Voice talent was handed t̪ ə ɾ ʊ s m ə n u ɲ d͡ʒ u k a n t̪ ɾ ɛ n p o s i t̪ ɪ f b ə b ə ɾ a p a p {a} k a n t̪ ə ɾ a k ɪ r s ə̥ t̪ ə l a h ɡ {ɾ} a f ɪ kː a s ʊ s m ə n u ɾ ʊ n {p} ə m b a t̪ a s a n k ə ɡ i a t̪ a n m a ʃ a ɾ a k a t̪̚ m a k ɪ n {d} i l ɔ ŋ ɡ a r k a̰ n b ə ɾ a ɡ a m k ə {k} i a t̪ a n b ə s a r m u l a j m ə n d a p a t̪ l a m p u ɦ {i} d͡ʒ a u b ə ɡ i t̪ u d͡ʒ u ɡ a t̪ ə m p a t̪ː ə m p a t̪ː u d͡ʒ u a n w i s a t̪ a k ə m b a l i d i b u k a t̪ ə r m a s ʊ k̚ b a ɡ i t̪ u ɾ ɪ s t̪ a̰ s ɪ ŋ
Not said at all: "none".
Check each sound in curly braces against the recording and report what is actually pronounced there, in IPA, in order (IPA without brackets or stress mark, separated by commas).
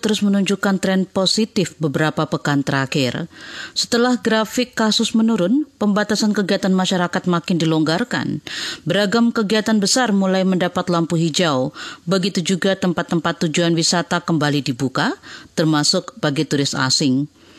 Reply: ə, ɾ, p, d, ɡ, i